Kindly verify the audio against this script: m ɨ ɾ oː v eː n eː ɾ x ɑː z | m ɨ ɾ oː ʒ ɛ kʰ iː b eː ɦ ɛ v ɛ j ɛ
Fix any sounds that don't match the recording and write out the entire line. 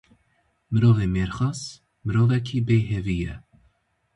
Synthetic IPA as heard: m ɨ ɾ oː v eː m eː ɾ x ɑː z | m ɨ ɾ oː v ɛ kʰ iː b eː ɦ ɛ v i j ɛ